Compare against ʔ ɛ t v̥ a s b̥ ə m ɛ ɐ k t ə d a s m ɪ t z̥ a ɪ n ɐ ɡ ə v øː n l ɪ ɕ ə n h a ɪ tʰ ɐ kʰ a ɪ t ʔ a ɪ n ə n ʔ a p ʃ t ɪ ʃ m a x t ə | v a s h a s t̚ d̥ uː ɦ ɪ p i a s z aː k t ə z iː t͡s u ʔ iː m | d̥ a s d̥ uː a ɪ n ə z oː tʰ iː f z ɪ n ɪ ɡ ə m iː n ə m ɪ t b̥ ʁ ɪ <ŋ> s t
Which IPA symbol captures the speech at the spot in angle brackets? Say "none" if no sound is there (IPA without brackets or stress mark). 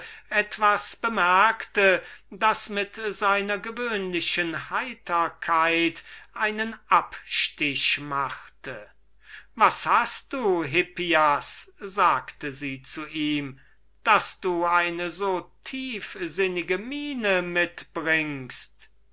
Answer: ŋ